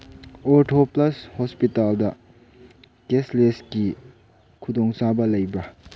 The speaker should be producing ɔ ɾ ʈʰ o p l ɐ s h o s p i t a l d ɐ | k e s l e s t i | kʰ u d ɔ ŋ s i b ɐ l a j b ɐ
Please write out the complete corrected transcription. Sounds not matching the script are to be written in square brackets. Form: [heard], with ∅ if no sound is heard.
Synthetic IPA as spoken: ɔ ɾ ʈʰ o p l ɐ s h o s p i t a l d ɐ | k e s l e s [k] i | kʰ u d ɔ ŋ s [a] b ɐ l [ɐ] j b ɐ